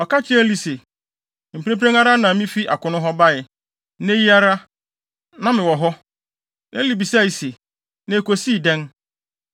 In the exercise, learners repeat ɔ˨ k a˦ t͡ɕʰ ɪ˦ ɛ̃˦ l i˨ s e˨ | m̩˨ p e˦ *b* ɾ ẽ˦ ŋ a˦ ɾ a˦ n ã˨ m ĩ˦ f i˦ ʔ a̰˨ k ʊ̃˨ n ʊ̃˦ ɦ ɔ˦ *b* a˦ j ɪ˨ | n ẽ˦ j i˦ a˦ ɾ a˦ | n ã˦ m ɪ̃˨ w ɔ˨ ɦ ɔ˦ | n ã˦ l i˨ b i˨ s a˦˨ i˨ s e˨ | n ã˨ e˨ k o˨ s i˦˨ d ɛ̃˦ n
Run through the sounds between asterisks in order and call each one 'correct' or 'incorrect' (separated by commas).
incorrect, correct